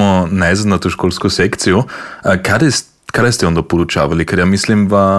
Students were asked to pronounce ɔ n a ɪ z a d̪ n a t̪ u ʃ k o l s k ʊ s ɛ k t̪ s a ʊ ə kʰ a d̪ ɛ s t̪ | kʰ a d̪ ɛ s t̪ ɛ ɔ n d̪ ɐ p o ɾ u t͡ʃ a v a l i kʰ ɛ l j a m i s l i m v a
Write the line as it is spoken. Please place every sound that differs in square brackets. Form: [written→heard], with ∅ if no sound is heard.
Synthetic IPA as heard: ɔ n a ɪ z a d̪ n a t̪ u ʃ k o l s k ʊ s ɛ k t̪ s [a→i] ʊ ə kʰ a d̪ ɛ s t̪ | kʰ a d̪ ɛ s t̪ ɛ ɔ n d̪ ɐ p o ɾ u t͡ʃ a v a l i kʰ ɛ [l→ɾ] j a m i s l i m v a